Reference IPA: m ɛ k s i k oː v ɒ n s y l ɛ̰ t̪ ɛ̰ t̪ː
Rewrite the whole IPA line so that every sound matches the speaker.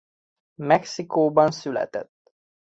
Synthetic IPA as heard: m ɛ k s i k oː b ɒ n s y l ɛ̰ t̪ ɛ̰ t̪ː